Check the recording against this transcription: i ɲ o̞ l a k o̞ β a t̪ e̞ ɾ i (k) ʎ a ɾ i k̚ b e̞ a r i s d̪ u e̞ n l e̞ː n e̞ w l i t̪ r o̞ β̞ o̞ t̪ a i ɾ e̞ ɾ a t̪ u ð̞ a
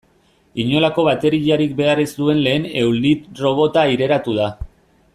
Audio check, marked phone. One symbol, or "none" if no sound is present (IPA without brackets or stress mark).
none